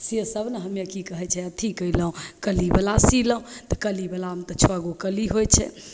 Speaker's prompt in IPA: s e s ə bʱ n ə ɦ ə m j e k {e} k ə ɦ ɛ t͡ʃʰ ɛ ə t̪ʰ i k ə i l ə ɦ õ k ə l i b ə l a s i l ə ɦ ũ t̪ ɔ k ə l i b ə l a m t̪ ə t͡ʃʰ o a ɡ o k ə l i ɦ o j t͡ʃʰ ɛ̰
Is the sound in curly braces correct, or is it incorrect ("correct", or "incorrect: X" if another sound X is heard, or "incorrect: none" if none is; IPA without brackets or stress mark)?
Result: incorrect: i